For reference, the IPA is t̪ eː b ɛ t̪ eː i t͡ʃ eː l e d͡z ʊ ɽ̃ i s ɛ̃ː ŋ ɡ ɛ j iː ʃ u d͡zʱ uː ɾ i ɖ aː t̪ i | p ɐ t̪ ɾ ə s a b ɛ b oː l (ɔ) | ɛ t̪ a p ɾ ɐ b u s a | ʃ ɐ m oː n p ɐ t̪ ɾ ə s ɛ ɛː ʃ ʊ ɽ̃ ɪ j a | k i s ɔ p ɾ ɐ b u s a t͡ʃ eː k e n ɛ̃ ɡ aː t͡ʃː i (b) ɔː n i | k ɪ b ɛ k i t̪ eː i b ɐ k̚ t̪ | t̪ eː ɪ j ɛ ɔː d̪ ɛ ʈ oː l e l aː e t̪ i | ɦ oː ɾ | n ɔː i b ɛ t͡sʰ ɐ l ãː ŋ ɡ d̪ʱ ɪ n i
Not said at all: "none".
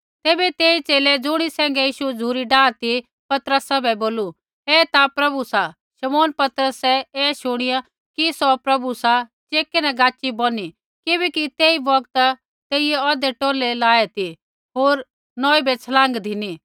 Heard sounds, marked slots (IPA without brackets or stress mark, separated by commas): u, b